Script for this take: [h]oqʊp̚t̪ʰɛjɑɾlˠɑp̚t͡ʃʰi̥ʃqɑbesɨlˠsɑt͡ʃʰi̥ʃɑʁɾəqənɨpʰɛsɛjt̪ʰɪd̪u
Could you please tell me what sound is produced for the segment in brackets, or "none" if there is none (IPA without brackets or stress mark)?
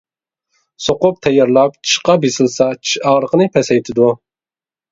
s